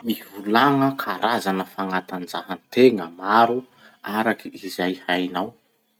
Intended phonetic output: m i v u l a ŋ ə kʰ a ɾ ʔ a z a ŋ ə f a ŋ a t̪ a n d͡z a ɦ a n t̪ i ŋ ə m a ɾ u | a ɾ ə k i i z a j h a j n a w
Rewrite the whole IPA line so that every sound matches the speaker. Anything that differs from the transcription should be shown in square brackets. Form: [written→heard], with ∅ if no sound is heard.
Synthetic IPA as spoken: m i v u l a ŋ ə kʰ a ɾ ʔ a z a [ŋ→n] ə f a ŋ a t̪ a n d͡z a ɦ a n t̪ [i→e] ŋ ə m a ɾ u | a ɾ [ə→a] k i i z a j h a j n a w

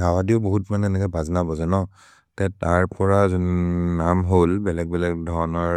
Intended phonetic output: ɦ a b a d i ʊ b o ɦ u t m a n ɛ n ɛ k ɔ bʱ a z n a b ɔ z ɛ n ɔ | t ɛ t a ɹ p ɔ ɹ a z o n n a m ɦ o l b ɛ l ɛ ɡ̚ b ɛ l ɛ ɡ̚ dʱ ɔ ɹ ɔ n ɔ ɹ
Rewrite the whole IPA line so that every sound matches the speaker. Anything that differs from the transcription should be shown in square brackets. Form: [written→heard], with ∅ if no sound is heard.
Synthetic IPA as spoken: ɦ a [b→w] a d i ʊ b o ɦ u t m a n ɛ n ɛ k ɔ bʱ a z n a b ɔ z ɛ n ɔ | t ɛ t a ɹ p ɔ ɹ a z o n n a m ɦ o l b ɛ l ɛ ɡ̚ b ɛ l ɛ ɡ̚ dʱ ɔ ɹ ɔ n ɔ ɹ

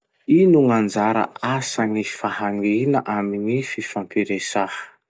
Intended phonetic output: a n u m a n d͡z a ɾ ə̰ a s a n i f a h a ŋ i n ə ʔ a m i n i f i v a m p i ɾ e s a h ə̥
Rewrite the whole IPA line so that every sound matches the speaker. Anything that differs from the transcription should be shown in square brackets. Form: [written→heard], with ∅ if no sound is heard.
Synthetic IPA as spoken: [a→i] n u [m→ŋ] a n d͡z a ɾ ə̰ a s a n i f a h a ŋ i n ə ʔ a m i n i f i [v→f] a m p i ɾ e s a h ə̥

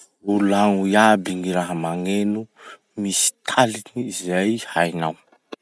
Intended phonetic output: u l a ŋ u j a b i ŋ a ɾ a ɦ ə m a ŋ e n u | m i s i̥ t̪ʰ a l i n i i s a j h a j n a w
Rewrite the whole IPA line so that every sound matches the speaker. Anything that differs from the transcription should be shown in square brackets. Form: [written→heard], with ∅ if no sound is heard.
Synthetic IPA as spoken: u l a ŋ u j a b i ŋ [a→i] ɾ a ɦ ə m a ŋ e n u | m i s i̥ t̪ʰ a l i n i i [s→z] a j h a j n a w

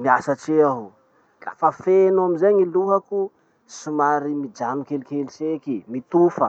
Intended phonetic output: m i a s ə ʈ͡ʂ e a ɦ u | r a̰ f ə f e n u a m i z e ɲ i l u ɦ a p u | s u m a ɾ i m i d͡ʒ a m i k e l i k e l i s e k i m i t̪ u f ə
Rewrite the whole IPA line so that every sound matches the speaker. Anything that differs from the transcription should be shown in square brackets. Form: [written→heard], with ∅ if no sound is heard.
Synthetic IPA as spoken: m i a s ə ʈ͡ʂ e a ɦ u | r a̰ f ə f e n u a m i z e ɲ i l u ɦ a [p→k] u | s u m a ɾ i m i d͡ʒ a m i k e l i k e l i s e k i m i t̪ u f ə

